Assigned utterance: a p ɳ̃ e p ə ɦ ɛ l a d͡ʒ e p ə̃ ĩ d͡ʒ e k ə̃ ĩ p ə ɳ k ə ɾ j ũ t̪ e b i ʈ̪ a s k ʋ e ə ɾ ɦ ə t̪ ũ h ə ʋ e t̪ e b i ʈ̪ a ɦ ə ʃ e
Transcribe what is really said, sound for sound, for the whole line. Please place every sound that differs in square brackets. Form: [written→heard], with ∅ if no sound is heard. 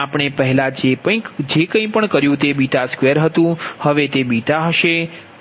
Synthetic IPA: a p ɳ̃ e p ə ɦ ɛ l a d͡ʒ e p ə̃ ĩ d͡ʒ e k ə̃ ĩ p ə ɳ k ə ɾ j ũ t̪ e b i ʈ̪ a s k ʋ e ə ɾ ɦ ə t̪ ũ h ə ʋ e t̪ e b i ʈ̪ a ɦ ə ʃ e